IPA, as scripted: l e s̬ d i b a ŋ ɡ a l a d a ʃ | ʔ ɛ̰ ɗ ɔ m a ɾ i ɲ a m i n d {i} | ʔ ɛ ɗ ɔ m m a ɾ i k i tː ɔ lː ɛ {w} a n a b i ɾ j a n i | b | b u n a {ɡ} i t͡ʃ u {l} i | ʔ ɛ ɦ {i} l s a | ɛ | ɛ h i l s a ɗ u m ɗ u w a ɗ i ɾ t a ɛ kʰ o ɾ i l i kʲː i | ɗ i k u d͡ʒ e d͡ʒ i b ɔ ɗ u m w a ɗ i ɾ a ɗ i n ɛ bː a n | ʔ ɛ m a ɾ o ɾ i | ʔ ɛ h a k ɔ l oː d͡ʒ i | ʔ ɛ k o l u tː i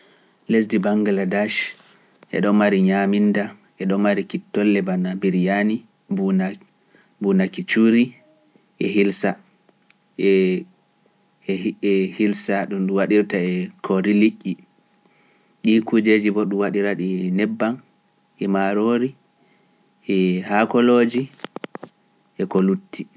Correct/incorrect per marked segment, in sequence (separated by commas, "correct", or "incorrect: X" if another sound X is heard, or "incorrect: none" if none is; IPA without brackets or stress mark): incorrect: a, incorrect: b, incorrect: k, incorrect: ɾ, correct